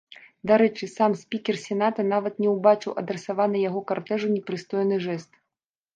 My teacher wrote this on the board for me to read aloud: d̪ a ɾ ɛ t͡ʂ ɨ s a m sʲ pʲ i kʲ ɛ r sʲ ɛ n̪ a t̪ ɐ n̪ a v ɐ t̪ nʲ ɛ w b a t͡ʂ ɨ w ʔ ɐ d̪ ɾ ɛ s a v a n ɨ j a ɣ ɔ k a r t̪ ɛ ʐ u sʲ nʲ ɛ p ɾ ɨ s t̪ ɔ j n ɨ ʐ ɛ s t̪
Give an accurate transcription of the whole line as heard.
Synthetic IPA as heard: d̪ a ɾ ɛ t͡ʂ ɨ s a m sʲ pʲ i kʲ ɛ r sʲ ɛ n̪ a t̪ ɐ n̪ a v ɐ t̪ nʲ ɛ w b a t͡ʂ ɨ w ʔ ɐ d̪ ɾ ɛ s a v a n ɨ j a ɣ ɔ k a r t̪ ɛ ʐ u nʲ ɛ p ɾ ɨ s t̪ ɔ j n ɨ ʐ ɛ s t̪

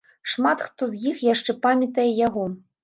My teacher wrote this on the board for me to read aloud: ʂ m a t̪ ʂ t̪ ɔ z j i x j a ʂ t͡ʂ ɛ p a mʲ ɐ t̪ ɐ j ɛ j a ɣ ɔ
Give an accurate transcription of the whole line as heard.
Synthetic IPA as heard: ʂ m a t̪ x t̪ ɔ z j i x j a ʂ t͡ʂ ɛ p a mʲ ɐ t̪ ɐ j ɛ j a ɣ ɔ

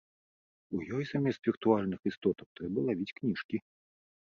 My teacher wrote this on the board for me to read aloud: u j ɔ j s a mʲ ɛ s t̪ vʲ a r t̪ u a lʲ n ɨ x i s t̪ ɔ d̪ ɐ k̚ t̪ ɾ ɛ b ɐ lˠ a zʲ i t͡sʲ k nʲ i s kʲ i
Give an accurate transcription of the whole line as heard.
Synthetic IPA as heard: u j ɔ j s a mʲ ɛ s t̪ vʲ i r t̪ u a lʲ n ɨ x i s t̪ ɔ t̪ ɐ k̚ t̪ ɾ ɛ b ɐ lˠ a vʲ i t͡sʲ k nʲ i ʂ kʲ i

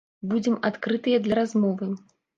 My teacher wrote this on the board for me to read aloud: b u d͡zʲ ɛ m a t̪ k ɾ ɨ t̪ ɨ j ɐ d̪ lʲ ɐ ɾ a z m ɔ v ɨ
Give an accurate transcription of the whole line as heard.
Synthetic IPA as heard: b u d͡zʲ ɛ m a t̪ k ɾ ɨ t̪ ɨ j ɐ d̪ lʲ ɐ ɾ a z m ɔ v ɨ

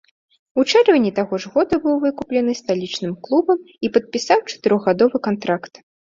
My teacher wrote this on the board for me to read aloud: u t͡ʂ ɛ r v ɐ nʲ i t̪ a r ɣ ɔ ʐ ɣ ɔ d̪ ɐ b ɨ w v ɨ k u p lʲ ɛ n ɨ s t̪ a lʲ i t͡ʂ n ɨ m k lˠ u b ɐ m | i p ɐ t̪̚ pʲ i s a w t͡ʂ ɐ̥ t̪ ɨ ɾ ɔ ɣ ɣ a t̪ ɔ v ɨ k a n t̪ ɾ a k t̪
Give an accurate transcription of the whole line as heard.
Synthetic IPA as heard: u t͡ʂ ɛ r v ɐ nʲ i t̪ a ɣ ɔ ʐ ɣ ɔ d̪ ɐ b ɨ w v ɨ k u p lʲ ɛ n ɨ s t̪ a lʲ i t͡ʂ n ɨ m k lˠ u b ɐ m | i p ɐ t̪̚ pʲ i s a w t͡ʂ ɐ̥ t̪ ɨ ɾ ɔ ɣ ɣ a d̪ ɔ v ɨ k a n t̪ ɾ a k t̪

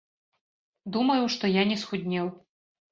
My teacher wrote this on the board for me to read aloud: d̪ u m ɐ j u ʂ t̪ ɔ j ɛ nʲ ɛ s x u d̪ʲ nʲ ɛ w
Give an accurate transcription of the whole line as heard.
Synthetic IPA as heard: d̪ u m ɐ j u ʂ t̪ ɔ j a nʲ ɛ s x u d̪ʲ nʲ ɛ w

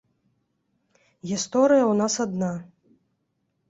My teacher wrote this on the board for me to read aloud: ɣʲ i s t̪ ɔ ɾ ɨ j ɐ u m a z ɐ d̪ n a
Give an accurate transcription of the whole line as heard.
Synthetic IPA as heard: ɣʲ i s t̪ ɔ ɾ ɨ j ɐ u n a s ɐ d̪ n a

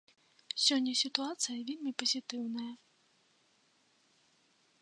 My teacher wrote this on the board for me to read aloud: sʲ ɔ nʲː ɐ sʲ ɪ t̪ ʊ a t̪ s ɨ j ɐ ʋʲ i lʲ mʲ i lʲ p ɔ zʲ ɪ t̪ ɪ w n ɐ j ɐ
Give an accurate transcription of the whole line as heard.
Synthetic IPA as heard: sʲ ɔ nʲː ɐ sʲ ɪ t̪ ʊ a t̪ s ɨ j ɐ ʋʲ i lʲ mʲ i p ɔ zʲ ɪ t̪ ɪ w n ɐ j ɐ

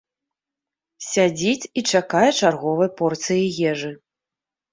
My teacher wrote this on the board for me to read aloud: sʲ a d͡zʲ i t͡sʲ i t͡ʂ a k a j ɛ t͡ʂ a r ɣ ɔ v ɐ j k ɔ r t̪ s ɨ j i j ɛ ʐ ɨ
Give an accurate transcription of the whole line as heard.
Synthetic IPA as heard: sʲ a d͡zʲ i t͡sʲ i t͡ʂ a k a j ɛ t͡ʂ a r ɣ ɔ v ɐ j p ɔ r t̪ s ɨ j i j ɛ ʐ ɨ

